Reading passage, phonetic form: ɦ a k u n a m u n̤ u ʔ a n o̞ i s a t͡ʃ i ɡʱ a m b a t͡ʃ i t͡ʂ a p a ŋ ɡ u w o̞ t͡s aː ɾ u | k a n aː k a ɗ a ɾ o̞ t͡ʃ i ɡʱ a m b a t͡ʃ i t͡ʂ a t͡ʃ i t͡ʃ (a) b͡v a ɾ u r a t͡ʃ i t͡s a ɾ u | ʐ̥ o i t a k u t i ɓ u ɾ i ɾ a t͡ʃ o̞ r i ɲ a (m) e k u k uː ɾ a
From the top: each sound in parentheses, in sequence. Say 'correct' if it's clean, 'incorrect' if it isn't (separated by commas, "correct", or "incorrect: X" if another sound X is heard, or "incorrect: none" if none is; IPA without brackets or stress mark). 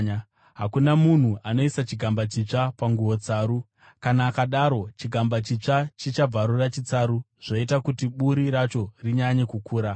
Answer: correct, incorrect: ɲ